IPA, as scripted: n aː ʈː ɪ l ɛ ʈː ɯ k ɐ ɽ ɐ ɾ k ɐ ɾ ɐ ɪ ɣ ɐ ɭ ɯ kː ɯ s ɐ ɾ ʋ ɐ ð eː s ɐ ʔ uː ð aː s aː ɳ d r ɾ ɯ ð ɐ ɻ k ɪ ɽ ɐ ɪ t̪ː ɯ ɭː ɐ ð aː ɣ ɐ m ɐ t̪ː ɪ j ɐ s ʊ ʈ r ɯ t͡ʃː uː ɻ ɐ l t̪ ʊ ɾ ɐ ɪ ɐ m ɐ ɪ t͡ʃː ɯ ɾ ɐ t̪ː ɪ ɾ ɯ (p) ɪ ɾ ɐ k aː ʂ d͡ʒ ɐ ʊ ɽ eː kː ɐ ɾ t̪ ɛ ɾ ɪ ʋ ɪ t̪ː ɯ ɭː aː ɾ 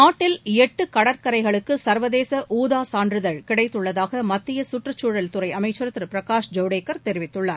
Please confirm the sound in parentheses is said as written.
yes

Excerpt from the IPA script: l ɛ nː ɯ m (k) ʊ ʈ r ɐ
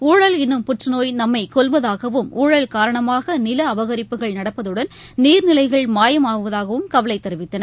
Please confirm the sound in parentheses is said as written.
no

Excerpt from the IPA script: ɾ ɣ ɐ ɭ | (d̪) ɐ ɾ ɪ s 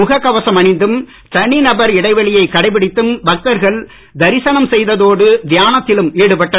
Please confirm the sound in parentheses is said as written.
yes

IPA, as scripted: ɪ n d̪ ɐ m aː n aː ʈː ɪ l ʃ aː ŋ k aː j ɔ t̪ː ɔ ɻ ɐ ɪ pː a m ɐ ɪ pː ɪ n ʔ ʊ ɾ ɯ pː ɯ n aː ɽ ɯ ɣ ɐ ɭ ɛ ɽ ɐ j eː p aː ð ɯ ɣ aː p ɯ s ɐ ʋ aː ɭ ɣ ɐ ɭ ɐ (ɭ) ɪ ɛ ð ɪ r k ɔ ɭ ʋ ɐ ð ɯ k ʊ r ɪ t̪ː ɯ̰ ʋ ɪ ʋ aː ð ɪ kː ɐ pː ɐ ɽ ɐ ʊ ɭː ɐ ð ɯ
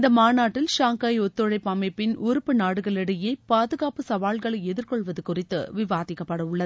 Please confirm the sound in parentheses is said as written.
no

